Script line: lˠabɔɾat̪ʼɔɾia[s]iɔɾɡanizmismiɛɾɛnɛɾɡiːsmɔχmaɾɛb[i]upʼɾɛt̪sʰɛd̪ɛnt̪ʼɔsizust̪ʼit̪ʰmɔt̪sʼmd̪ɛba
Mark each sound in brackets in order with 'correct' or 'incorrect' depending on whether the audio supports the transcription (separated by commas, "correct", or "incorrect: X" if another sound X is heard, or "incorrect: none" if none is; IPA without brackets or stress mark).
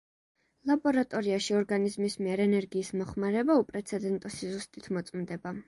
incorrect: ʃ, incorrect: a